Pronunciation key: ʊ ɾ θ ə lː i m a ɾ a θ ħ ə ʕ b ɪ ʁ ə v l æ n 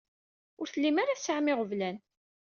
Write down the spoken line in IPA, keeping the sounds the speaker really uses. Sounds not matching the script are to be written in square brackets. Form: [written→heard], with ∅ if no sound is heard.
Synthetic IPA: ʊ ɾ θ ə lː i m a ɾ a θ [ħ→s] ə ʕ [b→m] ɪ ʁ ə v l æ n